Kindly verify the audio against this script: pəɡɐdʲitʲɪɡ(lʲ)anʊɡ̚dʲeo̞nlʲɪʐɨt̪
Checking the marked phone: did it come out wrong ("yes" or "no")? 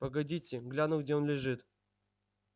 no